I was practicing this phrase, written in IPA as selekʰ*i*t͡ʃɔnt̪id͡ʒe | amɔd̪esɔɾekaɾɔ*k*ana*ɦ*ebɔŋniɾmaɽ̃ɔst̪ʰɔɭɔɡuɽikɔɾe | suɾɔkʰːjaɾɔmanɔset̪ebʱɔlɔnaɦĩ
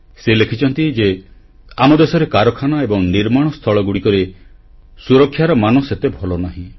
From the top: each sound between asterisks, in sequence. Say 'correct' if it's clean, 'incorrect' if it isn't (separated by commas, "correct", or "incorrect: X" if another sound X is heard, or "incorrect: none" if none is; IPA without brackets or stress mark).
correct, incorrect: kʰ, incorrect: none